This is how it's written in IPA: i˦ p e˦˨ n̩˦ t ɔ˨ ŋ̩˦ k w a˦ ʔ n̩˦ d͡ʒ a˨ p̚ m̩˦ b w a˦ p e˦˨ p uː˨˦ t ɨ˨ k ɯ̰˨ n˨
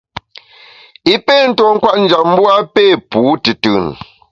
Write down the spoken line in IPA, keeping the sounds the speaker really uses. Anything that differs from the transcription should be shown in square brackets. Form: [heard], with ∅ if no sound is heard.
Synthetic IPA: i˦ p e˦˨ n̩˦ t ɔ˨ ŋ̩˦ k w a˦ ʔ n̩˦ d͡ʒ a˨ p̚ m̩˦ b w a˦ p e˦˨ p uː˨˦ t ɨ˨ [t] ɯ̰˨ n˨